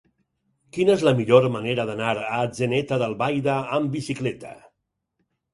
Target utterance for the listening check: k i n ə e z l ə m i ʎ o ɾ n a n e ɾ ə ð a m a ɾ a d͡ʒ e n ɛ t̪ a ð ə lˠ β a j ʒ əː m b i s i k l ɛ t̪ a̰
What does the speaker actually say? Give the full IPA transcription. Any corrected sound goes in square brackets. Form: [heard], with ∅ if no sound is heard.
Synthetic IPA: k i n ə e z l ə m i ʎ o ɾ [m] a n e ɾ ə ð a [n] a ɾ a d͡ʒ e n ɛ t̪ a ð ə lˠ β a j [ð] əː m b i s i k l ɛ t̪ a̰